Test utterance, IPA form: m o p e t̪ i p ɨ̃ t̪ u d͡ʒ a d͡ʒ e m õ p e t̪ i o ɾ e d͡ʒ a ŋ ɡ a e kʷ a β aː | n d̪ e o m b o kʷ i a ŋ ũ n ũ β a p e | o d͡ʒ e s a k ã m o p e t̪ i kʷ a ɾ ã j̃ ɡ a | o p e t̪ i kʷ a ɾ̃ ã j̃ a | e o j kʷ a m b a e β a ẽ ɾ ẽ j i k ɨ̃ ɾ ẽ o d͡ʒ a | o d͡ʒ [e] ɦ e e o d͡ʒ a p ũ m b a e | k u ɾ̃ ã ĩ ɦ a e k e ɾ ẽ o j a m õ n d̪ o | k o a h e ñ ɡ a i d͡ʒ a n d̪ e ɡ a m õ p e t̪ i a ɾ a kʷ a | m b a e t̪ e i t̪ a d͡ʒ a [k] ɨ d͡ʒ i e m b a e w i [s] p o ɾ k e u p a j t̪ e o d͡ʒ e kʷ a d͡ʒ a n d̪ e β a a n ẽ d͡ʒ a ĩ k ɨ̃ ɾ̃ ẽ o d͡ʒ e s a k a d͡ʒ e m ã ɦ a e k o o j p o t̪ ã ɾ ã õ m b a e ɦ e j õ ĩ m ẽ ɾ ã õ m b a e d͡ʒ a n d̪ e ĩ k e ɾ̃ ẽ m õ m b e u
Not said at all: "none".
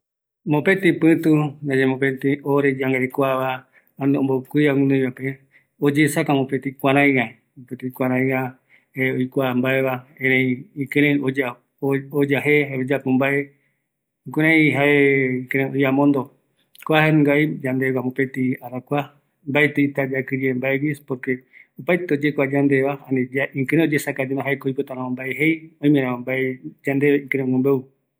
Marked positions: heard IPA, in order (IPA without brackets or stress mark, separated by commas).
a, k, s